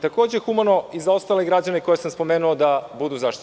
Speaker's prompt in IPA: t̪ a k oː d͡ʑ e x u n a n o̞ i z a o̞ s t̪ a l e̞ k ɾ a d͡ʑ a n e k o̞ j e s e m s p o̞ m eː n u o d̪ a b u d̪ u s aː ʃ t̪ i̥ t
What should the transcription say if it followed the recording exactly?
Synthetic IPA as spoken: t̪ a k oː d͡ʑ e x u m a n o̞ i z a o̞ s t̪ a l e̞ ɡ ɾ a d͡ʑ a n e k o̞ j e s a m s p o̞ m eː n u o d̪ a b u d̪ u z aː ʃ t̪ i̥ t